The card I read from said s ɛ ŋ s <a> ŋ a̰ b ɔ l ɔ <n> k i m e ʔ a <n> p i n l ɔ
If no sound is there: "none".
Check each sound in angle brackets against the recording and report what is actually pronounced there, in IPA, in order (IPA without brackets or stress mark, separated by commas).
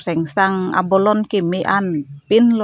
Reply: a, n, n